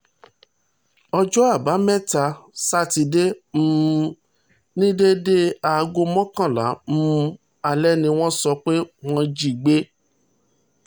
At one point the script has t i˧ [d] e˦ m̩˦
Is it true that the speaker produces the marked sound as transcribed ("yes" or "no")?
yes